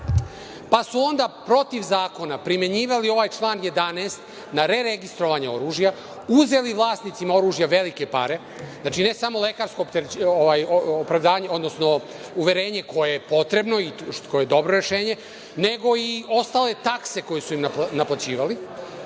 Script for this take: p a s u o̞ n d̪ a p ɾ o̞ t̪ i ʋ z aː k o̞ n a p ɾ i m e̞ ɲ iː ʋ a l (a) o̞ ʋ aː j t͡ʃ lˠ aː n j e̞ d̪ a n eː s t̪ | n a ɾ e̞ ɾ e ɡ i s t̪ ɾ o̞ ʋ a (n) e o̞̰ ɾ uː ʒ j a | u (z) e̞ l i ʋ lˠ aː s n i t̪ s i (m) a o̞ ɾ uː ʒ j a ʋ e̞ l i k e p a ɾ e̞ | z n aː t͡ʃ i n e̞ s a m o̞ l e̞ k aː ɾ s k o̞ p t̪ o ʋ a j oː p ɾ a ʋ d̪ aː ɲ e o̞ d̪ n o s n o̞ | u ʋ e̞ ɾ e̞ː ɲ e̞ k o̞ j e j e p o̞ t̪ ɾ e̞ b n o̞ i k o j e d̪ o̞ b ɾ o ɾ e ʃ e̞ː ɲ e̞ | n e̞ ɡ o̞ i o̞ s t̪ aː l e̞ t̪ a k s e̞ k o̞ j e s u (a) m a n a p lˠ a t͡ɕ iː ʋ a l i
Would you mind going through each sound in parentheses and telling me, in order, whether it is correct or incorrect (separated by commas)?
incorrect, incorrect, correct, correct, incorrect